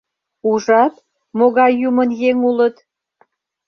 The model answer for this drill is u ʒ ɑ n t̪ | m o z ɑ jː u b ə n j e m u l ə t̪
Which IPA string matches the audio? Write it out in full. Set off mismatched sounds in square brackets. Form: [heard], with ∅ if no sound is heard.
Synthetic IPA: u ʒ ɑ [∅] t̪ | m o [ɣ] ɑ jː u [m] ə n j e [ŋ] u l ə t̪